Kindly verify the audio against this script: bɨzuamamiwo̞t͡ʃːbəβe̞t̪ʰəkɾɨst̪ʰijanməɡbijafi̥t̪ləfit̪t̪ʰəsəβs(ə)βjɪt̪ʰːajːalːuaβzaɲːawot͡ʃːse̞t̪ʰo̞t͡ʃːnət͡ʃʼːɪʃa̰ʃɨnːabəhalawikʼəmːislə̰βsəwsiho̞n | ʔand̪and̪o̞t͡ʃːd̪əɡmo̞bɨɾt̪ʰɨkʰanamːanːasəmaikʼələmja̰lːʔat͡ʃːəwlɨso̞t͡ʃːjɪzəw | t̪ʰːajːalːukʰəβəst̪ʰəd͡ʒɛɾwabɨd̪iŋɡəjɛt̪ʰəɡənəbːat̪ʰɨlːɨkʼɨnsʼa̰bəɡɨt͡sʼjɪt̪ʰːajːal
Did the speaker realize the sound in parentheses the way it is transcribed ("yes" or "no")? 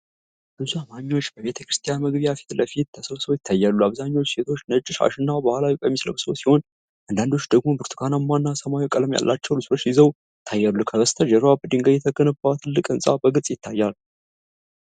yes